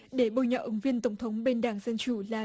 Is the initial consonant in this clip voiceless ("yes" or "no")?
no